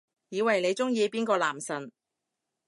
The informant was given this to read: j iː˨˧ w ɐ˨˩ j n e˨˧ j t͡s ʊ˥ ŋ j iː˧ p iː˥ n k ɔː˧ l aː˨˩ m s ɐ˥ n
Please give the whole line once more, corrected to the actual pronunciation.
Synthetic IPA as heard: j iː˨˧ w ɐ˨˩ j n e˨˧ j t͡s ʊ˥ ŋ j iː˧ p iː˥ n k ɔː˧ l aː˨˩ m s ɐ˨˩ n